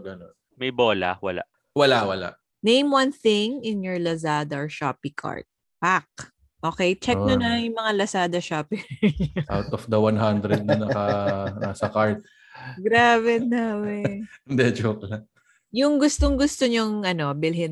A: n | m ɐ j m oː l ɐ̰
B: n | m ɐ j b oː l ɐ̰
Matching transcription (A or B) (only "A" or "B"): B